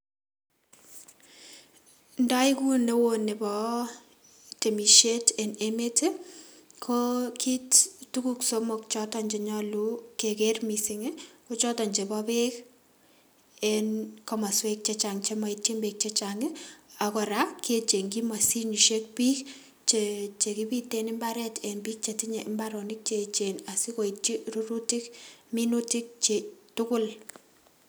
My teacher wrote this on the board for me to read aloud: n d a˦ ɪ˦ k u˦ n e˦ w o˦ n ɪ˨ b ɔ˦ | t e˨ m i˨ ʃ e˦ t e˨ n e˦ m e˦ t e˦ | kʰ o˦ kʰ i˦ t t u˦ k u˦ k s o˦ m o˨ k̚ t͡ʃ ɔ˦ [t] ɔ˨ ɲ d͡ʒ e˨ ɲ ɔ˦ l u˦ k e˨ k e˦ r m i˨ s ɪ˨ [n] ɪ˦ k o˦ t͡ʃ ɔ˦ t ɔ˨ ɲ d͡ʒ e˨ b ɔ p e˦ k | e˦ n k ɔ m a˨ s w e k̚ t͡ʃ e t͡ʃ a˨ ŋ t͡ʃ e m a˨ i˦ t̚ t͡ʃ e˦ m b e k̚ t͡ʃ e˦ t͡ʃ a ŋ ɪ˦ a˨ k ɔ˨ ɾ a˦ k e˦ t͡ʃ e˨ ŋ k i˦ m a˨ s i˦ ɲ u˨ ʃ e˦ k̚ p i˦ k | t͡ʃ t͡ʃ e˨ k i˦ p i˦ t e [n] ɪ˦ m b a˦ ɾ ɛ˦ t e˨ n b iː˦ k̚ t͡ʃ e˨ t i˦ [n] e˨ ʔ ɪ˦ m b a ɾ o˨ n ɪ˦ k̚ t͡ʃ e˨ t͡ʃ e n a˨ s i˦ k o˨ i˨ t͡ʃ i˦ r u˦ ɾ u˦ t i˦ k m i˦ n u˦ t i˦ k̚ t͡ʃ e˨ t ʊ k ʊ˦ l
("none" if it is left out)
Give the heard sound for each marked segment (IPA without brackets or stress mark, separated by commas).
t, ŋ, n, ɲ